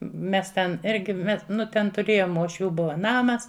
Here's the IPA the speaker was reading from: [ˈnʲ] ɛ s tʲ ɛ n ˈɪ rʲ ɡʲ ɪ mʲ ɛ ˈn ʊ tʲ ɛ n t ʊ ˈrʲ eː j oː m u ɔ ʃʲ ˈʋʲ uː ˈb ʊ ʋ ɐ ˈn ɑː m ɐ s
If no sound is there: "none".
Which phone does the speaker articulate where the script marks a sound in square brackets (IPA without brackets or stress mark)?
mʲ